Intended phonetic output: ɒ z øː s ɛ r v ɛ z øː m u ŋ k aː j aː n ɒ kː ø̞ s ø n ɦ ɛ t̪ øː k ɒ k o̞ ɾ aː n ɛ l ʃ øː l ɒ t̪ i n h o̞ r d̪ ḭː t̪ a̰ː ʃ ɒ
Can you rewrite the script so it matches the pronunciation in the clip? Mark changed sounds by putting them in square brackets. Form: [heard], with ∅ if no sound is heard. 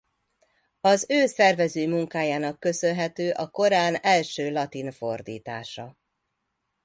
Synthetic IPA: ɒ z øː s ɛ r v ɛ z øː m u ŋ k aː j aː n ɒ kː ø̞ s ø n ɦ ɛ t̪ øː [ʔ] ɒ k o̞ ɾ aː n ɛ l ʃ øː l ɒ t̪ i n [f] o̞ r d̪ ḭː t̪ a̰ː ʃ ɒ